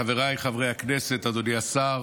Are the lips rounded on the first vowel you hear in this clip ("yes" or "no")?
no